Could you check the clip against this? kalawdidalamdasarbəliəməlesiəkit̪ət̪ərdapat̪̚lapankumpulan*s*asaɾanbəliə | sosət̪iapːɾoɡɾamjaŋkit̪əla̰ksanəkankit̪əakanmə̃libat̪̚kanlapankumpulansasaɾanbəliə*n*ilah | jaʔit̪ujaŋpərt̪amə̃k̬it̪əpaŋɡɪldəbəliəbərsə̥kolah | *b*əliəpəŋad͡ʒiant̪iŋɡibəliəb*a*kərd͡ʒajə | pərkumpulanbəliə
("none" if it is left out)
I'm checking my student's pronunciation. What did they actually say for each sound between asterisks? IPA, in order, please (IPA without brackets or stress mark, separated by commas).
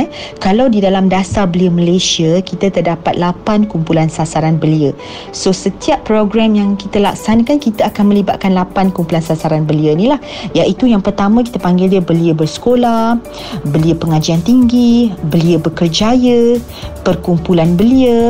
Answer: s, n, b, ə